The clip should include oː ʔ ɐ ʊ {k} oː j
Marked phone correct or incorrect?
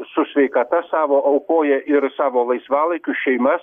correct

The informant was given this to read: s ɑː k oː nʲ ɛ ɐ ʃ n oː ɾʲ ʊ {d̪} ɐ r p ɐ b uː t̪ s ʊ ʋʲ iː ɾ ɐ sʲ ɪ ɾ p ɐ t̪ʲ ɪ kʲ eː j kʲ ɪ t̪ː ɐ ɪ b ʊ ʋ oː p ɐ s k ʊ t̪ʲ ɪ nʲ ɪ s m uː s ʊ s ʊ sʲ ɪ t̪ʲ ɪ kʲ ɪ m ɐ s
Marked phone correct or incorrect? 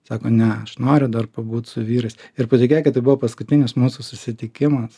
correct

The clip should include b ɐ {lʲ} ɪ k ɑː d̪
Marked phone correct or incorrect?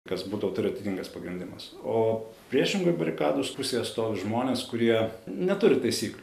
incorrect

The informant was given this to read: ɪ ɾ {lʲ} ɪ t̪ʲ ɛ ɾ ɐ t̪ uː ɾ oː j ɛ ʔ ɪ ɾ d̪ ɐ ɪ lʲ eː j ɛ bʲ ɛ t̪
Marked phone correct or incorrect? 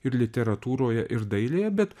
correct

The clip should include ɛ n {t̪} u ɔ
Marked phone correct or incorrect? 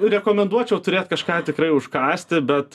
incorrect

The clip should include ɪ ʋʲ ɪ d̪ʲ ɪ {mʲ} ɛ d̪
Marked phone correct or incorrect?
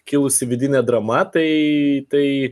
incorrect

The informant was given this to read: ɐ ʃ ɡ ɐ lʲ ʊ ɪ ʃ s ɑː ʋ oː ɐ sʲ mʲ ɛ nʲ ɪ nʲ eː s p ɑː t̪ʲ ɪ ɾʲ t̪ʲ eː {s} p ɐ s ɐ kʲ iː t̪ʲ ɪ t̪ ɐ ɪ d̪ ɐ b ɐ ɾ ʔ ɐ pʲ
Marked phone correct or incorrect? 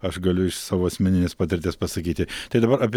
correct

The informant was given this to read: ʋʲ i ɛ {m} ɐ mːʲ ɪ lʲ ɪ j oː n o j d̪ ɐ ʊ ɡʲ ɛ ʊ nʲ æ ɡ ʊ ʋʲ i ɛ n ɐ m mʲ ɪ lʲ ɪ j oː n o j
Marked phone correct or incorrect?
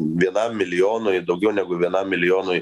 incorrect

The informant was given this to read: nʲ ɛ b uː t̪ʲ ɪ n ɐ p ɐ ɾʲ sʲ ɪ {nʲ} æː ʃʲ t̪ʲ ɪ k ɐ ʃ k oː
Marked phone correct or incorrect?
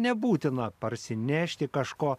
correct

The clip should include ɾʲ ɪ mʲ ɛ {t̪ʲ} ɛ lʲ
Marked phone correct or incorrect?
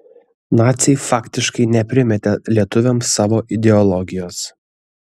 correct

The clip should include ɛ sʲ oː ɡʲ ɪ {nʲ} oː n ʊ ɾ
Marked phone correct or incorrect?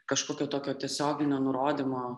correct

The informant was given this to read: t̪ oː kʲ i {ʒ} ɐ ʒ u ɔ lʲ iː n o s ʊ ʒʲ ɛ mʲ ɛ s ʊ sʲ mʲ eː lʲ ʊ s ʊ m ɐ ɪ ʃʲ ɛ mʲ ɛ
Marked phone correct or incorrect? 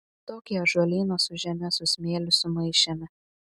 incorrect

